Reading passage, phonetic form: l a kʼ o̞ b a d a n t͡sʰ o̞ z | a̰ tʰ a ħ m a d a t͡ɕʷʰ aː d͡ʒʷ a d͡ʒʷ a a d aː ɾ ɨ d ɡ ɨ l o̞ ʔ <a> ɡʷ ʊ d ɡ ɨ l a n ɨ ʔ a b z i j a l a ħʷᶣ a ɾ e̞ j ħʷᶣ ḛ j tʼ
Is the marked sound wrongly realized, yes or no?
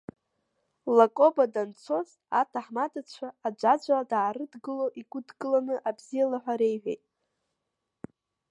yes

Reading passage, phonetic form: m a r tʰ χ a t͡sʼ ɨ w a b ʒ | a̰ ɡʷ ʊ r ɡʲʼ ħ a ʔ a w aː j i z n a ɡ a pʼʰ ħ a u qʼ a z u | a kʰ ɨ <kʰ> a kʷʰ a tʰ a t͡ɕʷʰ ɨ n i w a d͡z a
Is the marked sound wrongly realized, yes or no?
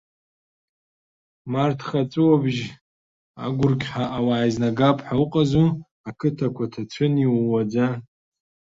yes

